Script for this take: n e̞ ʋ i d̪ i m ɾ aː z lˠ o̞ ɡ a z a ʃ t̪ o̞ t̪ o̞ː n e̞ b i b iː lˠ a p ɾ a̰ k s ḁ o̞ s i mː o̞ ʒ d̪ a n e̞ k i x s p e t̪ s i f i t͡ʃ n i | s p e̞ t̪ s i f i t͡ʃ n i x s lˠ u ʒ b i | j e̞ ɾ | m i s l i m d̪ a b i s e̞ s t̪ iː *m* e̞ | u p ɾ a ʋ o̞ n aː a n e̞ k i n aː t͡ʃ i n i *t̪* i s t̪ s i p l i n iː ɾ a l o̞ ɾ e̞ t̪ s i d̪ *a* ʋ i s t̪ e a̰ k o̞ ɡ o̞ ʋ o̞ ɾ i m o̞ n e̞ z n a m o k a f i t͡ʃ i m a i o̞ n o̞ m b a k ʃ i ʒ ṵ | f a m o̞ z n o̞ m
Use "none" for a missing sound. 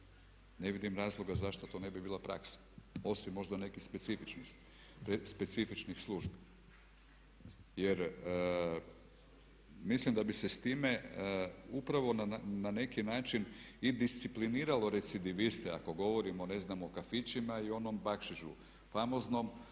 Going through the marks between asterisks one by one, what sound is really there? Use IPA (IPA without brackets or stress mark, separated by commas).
m, d̪, i